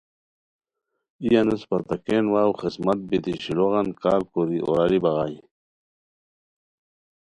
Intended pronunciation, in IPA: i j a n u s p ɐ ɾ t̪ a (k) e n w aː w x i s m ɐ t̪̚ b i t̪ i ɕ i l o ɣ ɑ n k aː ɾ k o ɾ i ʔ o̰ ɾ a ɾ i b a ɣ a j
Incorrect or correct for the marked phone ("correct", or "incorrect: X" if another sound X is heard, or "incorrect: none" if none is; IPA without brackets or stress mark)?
correct